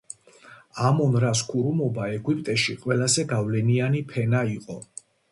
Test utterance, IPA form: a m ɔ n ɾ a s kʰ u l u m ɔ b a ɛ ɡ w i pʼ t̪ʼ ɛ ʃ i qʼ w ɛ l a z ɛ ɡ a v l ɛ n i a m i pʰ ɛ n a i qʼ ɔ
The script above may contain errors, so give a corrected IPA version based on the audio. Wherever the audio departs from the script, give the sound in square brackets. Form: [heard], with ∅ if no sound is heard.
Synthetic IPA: a m ɔ n ɾ a s kʰ u [ɾ] u m ɔ b a ɛ ɡ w i pʼ t̪ʼ ɛ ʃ i qʼ w ɛ l a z ɛ ɡ a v l ɛ n i a [n] i pʰ ɛ n a i qʼ ɔ